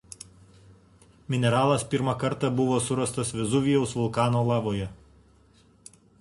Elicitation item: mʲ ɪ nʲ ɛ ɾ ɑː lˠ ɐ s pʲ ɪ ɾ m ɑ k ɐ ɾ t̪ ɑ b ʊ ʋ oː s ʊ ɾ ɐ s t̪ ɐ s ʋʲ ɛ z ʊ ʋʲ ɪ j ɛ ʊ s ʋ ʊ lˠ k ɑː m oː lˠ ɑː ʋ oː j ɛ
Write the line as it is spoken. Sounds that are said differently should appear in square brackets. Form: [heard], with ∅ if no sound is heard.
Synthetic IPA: mʲ ɪ nʲ ɛ ɾ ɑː lˠ ɐ s pʲ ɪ ɾ m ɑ k ɐ ɾ t̪ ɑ b ʊ ʋ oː s ʊ ɾ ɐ s t̪ ɐ s ʋʲ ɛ z ʊ ʋʲ ɪ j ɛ ʊ s ʋ ʊ lˠ k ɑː [n] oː lˠ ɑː ʋ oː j ɛ